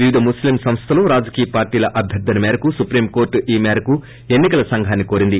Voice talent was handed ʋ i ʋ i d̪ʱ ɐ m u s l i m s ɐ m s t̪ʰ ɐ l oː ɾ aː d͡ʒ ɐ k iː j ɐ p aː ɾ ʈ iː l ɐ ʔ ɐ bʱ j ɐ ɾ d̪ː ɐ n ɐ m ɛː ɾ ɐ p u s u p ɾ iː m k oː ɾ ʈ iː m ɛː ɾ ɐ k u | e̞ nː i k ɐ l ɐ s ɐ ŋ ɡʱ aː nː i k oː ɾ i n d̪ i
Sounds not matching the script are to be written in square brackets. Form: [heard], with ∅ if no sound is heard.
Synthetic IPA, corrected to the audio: ʋ i ʋ i d̪ʱ ɐ m u s l i m s ɐ m s t̪ʰ ɐ l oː ɾ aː d͡ʒ ɐ k iː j ɐ p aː ɾ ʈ iː l ɐ ʔ ɐ bʱ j ɐ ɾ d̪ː ɐ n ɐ m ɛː ɾ ɐ [k] u s u p ɾ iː m k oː ɾ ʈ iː m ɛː ɾ ɐ k u | e̞ nː i k ɐ l ɐ s ɐ ŋ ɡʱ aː nː i k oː ɾ i n d̪ i

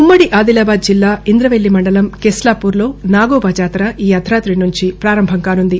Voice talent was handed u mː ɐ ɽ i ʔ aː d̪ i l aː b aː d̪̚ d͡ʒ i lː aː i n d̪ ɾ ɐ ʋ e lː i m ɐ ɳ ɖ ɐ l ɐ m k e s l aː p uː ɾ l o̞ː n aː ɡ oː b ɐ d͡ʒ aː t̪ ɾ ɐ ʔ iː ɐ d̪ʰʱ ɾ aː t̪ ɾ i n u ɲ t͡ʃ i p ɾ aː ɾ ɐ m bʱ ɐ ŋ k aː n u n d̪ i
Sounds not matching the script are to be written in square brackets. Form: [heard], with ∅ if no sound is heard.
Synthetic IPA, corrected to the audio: u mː ɐ ɽ i ʔ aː d̪ i l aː b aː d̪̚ d͡ʒ i lː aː i n d̪ ɾ ɐ ʋ e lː i m ɐ ɳ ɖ ɐ l ɐ m k e s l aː p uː ɾ l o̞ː n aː ɡ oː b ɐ d͡ʒ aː t̪ ɾ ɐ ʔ iː ɐ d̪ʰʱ ɾ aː t̪ ɾ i n u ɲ t͡ʃ i p ɾ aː ɾ ɐ m bʱ ɐ ŋ k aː n u n d̪ i

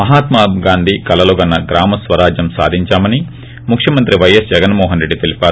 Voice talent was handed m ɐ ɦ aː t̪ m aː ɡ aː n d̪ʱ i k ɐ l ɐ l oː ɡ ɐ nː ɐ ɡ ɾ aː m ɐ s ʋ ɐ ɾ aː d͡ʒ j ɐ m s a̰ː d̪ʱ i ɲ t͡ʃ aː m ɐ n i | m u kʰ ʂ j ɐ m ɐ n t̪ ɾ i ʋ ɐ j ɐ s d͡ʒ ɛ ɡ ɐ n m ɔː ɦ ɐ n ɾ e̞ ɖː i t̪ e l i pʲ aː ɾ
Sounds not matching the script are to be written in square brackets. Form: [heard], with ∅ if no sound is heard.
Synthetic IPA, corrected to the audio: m ɐ ɦ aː t̪ m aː ɡ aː n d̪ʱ i k ɐ l ɐ l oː ɡ ɐ nː ɐ ɡ ɾ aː m ɐ s ʋ ɐ ɾ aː d͡ʒ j ɐ m s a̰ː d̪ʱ i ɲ t͡ʃ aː m ɐ n i | m u kʰ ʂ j ɐ m ɐ n t̪ ɾ i ʋ ɐ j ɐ s d͡ʒ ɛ ɡ ɐ n m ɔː ɦ ɐ n ɾ e̞ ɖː i t̪ e l i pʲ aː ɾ

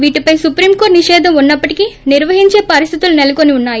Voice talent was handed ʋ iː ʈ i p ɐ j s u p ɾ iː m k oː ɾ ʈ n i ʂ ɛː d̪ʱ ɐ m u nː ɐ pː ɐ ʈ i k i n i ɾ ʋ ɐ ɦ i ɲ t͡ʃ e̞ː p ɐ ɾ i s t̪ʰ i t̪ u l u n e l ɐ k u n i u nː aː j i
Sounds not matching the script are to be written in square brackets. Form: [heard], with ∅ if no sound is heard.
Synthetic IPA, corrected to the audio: ʋ iː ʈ i p ɐ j s u p ɾ iː m k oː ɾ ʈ n i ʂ ɛː d̪ʱ ɐ m u nː ɐ pː ɐ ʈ i k i n i ɾ ʋ ɐ ɦ i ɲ t͡ʃ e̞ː p ɐ ɾ i s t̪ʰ i t̪ u l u n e l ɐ k [o] n i u nː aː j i

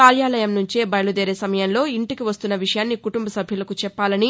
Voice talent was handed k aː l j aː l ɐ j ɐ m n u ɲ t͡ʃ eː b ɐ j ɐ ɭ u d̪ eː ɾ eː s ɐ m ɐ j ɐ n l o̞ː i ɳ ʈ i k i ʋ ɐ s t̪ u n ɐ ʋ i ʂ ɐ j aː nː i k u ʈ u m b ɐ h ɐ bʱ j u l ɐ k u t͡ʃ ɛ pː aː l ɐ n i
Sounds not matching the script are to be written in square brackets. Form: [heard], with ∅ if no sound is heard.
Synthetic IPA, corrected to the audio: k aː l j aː l ɐ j ɐ m n u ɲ t͡ʃ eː b ɐ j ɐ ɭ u d̪ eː ɾ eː s ɐ m ɐ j ɐ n l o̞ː i ɳ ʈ i k i ʋ ɐ s t̪ u [nː] ɐ ʋ i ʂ ɐ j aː nː i k u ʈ u m b ɐ [s] ɐ bʱ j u l ɐ k u t͡ʃ ɛ pː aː l ɐ n i

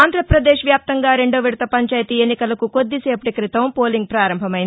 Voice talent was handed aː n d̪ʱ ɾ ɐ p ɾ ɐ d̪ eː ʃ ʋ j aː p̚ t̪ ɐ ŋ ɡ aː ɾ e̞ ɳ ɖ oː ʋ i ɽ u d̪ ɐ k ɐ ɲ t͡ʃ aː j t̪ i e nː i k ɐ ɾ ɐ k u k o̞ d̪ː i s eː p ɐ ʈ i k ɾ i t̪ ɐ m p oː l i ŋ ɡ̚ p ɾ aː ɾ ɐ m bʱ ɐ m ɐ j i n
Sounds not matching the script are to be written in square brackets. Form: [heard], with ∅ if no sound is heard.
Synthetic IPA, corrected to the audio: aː n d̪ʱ ɾ ɐ p ɾ ɐ d̪ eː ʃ ʋ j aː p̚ t̪ ɐ ŋ ɡ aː ɾ e̞ ɳ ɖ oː ʋ i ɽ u [t̪] ɐ [p] ɐ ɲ t͡ʃ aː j t̪ i e nː i k ɐ [l] ɐ k u k o̞ d̪ː i s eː p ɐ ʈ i k ɾ i t̪ ɐ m p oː l i ŋ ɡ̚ p ɾ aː ɾ ɐ m bʱ ɐ m ɐ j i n

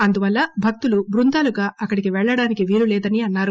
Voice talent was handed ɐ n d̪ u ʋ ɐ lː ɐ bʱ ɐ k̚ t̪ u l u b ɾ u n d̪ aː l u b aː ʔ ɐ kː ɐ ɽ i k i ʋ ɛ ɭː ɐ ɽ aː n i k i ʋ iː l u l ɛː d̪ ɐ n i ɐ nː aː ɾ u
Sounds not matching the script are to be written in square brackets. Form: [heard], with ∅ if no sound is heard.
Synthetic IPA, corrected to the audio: ɐ n d̪ u ʋ ɐ lː ɐ bʱ ɐ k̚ t̪ u l u b ɾ u n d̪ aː l u [ɡ] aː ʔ ɐ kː ɐ ɽ i k i ʋ ɛ ɭː ɐ ɽ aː n i k i ʋ iː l u l ɛː d̪ ɐ n i ɐ nː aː ɾ u

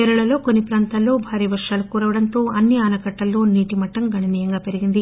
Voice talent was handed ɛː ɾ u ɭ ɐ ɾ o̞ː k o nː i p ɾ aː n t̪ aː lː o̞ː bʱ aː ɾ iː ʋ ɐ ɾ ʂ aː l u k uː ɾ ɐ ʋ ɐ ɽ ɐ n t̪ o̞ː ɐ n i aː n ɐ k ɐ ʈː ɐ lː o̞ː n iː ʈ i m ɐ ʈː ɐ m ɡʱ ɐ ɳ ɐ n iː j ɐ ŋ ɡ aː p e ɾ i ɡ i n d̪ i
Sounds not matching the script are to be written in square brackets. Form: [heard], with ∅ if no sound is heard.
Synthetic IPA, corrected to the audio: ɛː ɾ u ɭ ɐ [l] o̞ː k o nː i p ɾ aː n t̪ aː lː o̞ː bʱ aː ɾ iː ʋ ɐ ɾ ʂ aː l u k uː ɾ ɐ ʋ ɐ ɽ ɐ n t̪ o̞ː ɐ [nː] i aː n ɐ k ɐ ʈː ɐ lː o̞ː n iː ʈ i m ɐ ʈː ɐ m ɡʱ ɐ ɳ ɐ n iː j ɐ ŋ ɡ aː p e ɾ i ɡ i n d̪ i

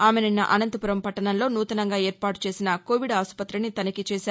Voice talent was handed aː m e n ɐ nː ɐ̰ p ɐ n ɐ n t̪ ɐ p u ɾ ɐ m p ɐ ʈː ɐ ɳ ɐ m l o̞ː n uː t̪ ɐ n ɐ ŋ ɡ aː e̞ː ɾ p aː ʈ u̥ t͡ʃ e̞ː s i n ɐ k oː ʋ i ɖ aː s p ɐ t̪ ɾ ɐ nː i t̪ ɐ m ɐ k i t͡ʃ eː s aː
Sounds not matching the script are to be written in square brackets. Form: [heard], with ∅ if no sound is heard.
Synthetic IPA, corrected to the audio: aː m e n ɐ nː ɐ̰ [ʔ] ɐ n ɐ n t̪ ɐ p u ɾ ɐ m p ɐ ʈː ɐ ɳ ɐ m l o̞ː n uː t̪ ɐ n ɐ ŋ ɡ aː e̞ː ɾ p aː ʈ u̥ t͡ʃ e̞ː s i n ɐ k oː ʋ i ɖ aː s p ɐ t̪ ɾ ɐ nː i t̪ ɐ [n] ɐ k i t͡ʃ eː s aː

